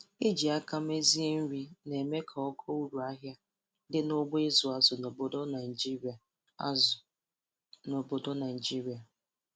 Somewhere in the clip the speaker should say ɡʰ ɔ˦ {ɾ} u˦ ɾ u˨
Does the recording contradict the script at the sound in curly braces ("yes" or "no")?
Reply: yes